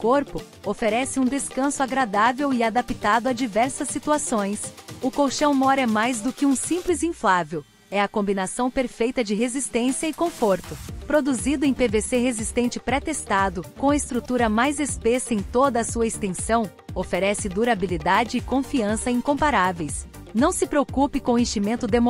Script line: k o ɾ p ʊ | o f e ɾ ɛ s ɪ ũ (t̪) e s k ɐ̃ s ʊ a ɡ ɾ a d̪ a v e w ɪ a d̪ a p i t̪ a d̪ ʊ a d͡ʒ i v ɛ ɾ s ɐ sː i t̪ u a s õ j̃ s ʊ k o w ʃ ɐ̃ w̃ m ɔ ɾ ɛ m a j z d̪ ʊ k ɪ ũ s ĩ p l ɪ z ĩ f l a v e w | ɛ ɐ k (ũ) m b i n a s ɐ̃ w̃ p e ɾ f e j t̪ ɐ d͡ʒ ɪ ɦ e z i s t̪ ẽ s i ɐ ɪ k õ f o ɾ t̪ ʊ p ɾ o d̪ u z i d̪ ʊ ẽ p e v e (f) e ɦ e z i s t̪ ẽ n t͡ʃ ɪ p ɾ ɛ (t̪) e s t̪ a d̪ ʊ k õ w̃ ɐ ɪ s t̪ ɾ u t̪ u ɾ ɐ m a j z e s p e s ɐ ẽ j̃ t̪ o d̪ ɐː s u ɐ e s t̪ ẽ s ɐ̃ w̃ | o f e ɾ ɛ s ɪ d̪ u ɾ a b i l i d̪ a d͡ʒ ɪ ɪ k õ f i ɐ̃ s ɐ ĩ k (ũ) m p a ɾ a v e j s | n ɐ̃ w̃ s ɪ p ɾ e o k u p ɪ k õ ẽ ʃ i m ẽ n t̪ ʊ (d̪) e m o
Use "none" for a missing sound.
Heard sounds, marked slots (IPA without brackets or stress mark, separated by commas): d̪, õ, s, t̪, õ, d̪